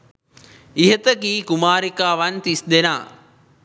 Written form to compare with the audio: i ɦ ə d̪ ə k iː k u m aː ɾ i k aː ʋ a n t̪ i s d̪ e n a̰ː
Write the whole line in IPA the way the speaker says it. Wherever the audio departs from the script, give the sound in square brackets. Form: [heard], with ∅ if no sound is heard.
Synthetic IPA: i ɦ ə [t̪] ə k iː k u m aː ɾ i k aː ʋ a n t̪ i s d̪ e n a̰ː